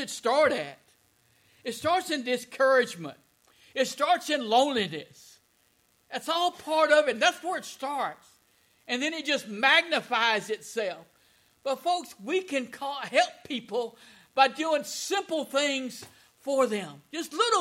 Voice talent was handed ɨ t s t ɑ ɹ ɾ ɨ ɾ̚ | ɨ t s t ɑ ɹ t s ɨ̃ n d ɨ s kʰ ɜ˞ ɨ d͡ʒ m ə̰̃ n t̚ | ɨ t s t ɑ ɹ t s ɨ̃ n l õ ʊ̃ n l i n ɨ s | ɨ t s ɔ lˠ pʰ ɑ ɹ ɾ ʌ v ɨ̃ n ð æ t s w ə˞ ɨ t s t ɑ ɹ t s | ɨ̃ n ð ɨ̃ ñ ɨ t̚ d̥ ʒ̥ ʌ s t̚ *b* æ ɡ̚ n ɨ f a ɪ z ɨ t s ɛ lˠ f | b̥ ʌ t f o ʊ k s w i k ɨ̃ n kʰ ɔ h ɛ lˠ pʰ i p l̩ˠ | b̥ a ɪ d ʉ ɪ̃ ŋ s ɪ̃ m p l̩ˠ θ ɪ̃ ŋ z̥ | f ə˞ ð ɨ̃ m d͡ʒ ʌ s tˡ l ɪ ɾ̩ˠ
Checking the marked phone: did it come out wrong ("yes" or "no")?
yes